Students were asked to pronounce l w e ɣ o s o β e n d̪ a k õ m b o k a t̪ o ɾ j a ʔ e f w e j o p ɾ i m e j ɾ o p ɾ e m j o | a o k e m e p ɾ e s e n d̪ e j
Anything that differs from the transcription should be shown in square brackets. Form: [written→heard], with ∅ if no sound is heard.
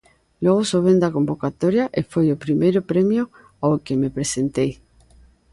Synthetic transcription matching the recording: l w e ɣ o s o β e n d̪ a k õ m b o k a t̪ o ɾ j a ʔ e f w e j o p ɾ i m e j ɾ o p ɾ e m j o | a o k e m e p ɾ e s e n [d̪→t̪] e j